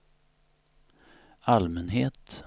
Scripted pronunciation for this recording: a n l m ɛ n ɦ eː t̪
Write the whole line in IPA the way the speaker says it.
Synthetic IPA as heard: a l m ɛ n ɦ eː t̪